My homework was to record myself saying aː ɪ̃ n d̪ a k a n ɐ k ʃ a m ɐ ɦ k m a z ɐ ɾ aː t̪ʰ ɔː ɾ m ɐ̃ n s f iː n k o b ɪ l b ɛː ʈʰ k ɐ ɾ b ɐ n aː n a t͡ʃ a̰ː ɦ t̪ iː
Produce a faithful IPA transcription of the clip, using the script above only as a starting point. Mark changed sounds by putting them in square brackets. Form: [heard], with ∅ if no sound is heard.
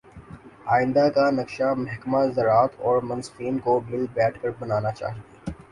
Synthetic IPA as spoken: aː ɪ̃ n d̪ a k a n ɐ k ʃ a m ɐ ɦ k m a z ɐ ɾ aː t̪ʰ ɔː ɾ m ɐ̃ n s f iː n k o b ɪ l b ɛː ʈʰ k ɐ ɾ b ɐ n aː n a t͡ʃ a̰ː ɦ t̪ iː